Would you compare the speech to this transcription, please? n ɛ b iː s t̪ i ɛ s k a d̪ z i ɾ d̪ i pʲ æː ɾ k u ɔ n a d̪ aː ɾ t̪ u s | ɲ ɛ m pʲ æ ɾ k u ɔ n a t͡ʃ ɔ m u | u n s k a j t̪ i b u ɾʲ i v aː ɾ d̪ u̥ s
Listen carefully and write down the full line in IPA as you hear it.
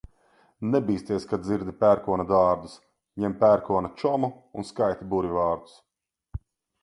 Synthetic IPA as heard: n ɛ b iː s t̪ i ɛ s k a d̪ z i ɾ d̪ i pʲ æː ɾ k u ɔ n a d̪ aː ɾ d̪ u s | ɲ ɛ m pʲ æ ɾ k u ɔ n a t͡ʃ ɔ m u | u n s k a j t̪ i b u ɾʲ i v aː ɾ d̪ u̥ s

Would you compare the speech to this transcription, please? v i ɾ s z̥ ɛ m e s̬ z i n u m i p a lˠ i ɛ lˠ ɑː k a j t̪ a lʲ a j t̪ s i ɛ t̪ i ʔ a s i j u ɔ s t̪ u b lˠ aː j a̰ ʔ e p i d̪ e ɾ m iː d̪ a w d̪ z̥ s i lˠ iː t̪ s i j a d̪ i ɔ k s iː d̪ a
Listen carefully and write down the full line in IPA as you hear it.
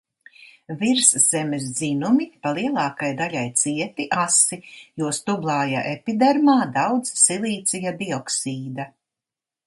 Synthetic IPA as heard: v i ɾ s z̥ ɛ m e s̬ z i n u m i p a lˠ i ɛ lˠ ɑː k a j d̪ a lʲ a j t̪ s i ɛ t̪ i ʔ a s i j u ɔ s t̪ u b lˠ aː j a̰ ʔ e p i d̪ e ɾ m aː d̪ a w d̪ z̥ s i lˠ iː t̪ s i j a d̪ i ɔ k s iː d̪ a

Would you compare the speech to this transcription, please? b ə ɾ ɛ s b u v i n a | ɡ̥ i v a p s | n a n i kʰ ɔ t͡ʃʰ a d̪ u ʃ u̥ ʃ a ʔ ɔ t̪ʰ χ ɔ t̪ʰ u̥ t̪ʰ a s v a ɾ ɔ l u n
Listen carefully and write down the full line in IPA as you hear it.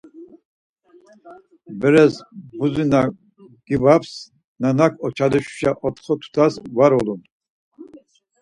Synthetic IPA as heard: b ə ɾ ɛ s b u z i n a | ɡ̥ i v a p s | n a n a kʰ ɔ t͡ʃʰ a d̪ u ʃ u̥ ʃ a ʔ ɔ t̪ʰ χ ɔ t̪ʰ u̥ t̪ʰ a s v a ɾ ɔ l u n

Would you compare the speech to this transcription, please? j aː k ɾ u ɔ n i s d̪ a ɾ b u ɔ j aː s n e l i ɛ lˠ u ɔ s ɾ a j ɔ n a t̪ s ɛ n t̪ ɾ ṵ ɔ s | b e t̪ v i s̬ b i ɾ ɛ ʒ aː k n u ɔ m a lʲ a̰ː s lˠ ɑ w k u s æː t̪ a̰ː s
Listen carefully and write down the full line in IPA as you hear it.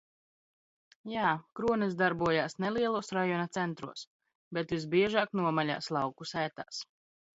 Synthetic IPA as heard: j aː k ɾ u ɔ n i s d̪ a ɾ b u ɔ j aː s n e l i ɛ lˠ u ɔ s ɾ a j ɔ n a t̪ s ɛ n t̪ ɾ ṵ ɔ s | b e t̪ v i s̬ b i ɛ ʒ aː k n u ɔ m a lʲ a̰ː s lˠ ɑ w k u s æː t̪ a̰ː s

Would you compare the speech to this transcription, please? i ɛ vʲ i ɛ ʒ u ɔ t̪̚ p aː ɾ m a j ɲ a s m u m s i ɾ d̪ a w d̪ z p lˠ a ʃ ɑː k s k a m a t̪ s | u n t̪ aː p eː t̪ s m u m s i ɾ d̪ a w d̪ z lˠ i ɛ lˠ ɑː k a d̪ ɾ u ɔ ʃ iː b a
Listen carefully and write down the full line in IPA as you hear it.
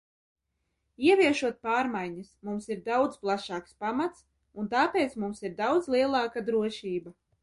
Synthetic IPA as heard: i ɛ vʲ i ɛ ʃ u ɔ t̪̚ p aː ɾ m a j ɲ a s m u m s i ɾ d̪ a w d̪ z p lˠ a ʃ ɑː k s p a m a t̪ s | u n t̪ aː p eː t̪ s m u m s i ɾ d̪ a w d̪ z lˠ i ɛ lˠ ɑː k a d̪ ɾ u ɔ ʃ iː b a

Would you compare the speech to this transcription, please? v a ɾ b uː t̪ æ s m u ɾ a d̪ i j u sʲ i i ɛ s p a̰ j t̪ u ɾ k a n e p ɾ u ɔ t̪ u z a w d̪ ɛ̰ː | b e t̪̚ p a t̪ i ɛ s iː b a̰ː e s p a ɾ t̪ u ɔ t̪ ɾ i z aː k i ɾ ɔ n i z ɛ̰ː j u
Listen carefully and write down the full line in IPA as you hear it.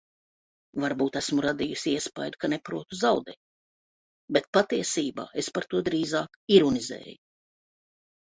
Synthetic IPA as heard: v a ɾ b uː t̪ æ s m u ɾ a d̪ i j u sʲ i i ɛ s p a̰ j d̪ u k a n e p ɾ u ɔ t̪ u z a w d̪ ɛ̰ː | b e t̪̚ p a t̪ i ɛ s iː b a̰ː e s p a ɾ t̪ u ɔ d̪ ɾ iː z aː k i ɾ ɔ n i z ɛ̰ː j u

